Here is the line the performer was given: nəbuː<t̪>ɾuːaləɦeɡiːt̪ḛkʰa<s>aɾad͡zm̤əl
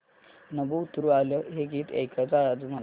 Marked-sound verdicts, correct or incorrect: correct, incorrect: t͡s

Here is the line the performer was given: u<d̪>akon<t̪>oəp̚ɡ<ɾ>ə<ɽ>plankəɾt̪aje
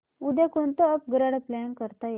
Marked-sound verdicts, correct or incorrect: correct, correct, correct, correct

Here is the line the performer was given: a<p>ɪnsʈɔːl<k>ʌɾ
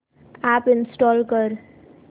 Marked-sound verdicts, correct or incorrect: correct, correct

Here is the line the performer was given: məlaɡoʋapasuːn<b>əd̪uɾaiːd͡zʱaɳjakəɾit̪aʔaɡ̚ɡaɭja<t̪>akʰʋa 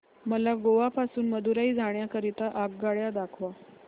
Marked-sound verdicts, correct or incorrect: incorrect: m, incorrect: d̪

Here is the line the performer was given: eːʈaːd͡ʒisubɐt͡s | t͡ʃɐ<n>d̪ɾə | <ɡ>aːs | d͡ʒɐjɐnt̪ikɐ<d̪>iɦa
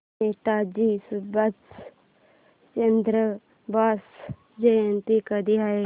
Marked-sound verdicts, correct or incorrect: correct, incorrect: b, correct

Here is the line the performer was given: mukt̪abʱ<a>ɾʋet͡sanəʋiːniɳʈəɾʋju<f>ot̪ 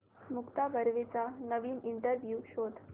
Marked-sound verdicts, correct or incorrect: incorrect: ə, incorrect: ɕ

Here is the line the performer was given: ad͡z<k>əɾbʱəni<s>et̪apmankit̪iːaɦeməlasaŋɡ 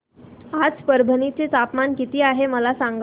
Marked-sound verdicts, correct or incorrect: incorrect: p, incorrect: t͡s

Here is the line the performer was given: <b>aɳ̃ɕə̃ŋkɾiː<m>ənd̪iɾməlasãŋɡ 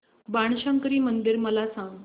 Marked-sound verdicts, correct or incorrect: correct, correct

